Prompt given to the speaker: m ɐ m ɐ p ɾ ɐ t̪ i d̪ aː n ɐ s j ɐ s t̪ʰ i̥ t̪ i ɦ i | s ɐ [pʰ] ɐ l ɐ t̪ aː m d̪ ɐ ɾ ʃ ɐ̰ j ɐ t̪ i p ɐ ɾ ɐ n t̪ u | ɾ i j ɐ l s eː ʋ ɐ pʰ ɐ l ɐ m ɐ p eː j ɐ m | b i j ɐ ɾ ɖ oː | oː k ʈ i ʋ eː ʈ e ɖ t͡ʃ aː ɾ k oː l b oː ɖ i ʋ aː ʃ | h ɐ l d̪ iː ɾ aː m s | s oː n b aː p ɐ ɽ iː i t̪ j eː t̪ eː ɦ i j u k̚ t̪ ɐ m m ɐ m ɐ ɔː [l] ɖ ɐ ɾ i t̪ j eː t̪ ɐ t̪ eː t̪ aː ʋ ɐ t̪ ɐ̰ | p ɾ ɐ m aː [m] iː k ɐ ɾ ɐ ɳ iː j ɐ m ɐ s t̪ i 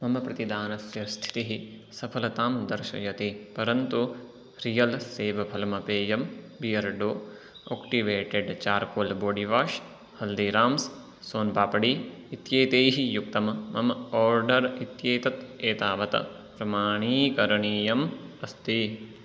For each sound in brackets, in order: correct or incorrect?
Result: correct, incorrect: ɾ, incorrect: ɳ

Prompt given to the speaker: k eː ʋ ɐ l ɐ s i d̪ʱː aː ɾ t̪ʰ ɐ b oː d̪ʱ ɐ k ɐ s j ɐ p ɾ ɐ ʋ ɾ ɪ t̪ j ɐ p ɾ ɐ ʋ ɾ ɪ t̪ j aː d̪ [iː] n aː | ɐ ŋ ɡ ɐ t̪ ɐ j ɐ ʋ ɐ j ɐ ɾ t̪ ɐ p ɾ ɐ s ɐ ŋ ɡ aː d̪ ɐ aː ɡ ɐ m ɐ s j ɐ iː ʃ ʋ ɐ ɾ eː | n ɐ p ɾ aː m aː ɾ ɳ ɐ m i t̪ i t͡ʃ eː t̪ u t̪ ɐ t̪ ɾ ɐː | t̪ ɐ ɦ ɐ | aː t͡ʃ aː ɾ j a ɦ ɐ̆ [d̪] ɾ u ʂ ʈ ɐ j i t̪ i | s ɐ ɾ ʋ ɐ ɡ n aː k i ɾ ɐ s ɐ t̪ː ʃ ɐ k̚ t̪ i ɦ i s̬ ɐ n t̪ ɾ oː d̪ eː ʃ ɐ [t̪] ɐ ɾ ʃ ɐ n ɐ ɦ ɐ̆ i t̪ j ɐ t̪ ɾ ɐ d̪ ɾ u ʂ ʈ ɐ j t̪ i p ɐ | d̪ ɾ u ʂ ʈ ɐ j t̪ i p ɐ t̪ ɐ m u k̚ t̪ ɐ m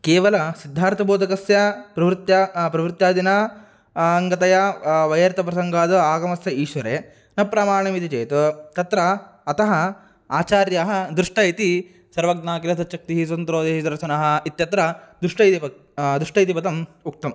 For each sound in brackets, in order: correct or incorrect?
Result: incorrect: i, correct, incorrect: d̪

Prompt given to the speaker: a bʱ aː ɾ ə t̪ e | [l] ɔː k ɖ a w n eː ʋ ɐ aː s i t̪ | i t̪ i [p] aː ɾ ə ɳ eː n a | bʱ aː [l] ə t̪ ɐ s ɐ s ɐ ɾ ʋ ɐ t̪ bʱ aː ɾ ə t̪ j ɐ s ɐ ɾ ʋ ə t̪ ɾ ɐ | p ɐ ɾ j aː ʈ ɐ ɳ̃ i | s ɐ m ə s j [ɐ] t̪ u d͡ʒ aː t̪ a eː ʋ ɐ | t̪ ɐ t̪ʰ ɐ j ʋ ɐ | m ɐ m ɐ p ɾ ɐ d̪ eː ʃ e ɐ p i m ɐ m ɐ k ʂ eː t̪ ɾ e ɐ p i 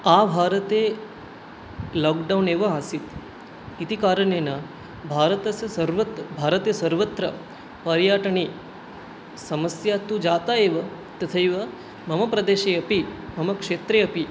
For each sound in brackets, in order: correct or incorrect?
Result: correct, incorrect: k, incorrect: ɾ, incorrect: a

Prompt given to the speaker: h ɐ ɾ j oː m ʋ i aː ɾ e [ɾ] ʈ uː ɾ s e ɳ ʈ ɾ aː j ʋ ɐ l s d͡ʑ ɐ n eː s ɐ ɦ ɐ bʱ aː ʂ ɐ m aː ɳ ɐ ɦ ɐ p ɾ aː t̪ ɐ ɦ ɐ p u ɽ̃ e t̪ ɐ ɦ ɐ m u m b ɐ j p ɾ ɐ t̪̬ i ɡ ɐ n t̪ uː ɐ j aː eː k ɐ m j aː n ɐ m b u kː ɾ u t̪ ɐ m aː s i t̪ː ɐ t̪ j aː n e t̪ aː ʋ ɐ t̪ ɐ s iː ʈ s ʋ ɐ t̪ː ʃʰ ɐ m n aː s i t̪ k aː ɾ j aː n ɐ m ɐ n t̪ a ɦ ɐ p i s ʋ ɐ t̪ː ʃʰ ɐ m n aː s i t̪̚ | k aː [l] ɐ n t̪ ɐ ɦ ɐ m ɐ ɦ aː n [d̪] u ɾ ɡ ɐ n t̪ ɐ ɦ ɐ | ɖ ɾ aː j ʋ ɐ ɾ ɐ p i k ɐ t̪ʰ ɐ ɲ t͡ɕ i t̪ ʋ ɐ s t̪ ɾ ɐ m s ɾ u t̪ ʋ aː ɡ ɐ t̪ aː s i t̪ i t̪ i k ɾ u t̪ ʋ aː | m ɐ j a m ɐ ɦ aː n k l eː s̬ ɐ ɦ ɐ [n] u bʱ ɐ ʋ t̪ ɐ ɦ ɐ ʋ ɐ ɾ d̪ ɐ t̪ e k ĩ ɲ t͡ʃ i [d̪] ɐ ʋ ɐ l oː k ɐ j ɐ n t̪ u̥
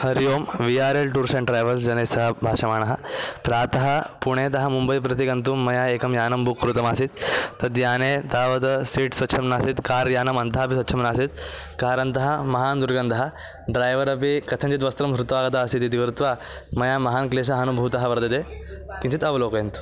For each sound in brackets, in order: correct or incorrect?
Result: incorrect: l, incorrect: ɾ, correct, correct, incorrect: t̪

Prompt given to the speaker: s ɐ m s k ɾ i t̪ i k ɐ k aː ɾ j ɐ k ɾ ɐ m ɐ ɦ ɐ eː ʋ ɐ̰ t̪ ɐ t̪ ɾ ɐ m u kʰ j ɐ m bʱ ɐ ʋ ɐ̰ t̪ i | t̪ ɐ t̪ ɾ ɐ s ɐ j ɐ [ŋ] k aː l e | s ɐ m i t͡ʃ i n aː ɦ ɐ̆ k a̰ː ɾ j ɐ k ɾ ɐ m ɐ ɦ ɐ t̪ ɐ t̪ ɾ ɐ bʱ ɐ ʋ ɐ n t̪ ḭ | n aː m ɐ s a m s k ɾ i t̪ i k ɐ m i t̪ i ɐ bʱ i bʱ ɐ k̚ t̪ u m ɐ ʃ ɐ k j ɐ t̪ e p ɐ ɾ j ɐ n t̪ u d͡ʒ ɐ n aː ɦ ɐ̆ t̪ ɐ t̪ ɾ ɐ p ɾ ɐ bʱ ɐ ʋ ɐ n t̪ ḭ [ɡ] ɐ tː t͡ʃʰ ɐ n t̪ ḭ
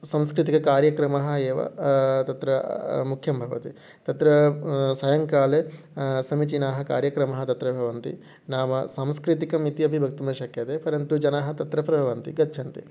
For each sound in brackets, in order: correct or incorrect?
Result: correct, correct

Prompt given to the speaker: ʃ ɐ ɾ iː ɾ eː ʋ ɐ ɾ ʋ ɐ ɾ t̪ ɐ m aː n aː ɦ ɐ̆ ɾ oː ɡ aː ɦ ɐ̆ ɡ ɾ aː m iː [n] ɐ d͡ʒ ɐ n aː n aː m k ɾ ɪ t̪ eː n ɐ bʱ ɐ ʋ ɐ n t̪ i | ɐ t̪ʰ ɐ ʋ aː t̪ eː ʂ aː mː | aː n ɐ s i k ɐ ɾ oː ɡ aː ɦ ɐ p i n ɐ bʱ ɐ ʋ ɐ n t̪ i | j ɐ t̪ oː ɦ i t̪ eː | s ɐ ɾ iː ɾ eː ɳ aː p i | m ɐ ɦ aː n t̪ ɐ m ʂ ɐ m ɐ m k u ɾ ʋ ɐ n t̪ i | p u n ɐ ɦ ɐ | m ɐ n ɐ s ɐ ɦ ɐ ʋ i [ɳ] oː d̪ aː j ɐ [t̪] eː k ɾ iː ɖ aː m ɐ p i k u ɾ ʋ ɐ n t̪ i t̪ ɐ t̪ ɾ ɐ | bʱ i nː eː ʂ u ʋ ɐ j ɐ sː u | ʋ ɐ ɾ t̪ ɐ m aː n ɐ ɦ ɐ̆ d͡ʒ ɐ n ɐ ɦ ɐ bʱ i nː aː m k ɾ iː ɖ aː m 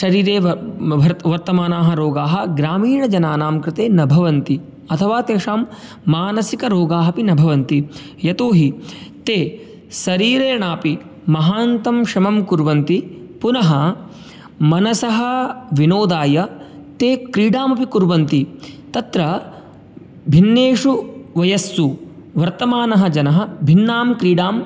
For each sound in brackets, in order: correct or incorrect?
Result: incorrect: ɳ, incorrect: n, correct

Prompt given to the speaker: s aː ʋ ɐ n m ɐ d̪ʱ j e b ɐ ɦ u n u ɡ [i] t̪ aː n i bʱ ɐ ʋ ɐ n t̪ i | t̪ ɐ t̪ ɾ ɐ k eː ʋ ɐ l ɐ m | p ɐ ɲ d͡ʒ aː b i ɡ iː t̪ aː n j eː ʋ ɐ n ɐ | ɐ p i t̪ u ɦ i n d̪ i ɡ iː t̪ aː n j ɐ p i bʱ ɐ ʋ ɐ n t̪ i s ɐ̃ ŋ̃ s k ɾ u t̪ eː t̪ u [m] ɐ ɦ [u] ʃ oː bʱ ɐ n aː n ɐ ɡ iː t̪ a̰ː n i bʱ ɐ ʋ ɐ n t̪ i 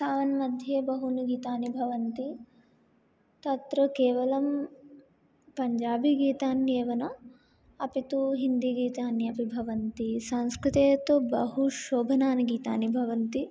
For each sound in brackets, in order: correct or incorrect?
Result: incorrect: iː, incorrect: b, correct

